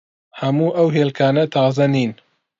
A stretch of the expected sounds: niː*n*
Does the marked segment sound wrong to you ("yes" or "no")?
no